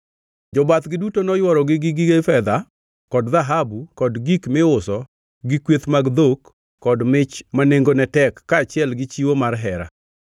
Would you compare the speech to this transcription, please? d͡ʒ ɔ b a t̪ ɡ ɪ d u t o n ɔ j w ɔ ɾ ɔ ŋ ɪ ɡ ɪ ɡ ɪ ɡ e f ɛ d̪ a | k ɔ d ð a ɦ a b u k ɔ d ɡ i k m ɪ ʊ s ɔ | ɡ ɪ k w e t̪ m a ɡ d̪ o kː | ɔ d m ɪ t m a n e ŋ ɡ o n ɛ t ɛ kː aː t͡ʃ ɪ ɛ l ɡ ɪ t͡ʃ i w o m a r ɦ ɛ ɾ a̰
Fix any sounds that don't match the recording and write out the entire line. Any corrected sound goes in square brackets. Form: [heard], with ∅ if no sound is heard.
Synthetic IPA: d͡ʒ ɔ b a t̪ ɡ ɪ d u t o n ɔ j w ɔ ɾ ɔ [ɡ] ɪ ɡ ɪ ɡ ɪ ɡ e f ɛ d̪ a | k ɔ d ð a ɦ a b u k ɔ d ɡ i k m ɪ ʊ s ɔ | ɡ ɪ k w e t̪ m a ɡ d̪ o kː | ɔ d m ɪ [t͡ʃ] m a n e ŋ ɡ o n ɛ t ɛ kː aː t͡ʃ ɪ ɛ l ɡ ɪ t͡ʃ i w o m a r ɦ ɛ ɾ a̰